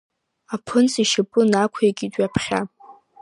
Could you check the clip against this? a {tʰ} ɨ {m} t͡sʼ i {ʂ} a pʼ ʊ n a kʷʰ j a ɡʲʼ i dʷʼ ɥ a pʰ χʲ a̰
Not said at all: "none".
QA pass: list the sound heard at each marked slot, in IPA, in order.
pʰ, n, ʃ

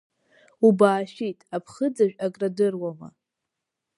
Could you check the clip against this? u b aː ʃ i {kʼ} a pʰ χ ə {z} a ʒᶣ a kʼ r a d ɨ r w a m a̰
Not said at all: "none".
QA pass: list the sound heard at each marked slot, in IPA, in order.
tʼ, d͡z

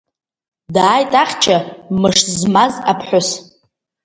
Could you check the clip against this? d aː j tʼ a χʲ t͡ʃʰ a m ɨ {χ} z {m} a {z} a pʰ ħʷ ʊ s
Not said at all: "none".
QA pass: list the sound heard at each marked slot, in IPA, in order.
ʂ, m, z

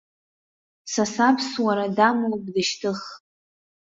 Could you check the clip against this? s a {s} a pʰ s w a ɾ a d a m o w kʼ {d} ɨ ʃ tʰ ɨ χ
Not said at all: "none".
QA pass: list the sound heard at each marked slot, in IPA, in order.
s, d

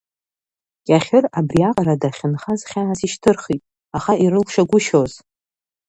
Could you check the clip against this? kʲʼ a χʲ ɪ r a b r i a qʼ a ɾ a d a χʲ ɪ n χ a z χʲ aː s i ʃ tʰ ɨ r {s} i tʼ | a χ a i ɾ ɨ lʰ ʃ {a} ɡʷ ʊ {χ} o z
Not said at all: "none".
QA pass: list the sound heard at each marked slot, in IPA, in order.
χ, a, ʃ

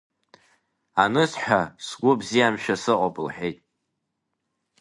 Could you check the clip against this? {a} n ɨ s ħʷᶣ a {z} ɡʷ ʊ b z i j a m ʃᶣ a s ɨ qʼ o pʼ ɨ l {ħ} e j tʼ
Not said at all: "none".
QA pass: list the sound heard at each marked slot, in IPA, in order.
a, s, ħ

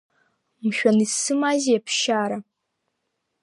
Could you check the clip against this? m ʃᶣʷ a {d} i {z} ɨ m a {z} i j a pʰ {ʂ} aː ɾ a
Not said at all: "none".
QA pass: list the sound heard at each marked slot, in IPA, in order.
n, s, z, ʃ

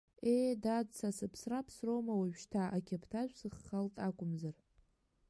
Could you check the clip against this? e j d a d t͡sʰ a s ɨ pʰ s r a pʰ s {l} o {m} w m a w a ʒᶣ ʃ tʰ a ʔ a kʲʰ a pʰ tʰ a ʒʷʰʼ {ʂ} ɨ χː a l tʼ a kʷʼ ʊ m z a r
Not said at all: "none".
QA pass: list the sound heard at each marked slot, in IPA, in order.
r, none, s

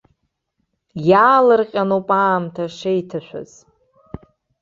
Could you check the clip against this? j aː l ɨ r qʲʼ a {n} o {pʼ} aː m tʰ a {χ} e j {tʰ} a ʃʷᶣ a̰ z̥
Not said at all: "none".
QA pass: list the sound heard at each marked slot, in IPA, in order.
n, pʼ, ʂ, tʰ

